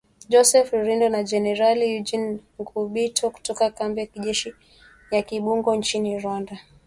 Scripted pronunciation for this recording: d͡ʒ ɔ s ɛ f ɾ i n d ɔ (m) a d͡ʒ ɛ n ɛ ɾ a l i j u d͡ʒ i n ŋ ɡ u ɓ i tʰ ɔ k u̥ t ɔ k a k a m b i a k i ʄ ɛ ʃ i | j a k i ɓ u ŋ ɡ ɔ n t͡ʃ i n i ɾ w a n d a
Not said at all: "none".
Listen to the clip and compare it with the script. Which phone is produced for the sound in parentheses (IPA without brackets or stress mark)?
n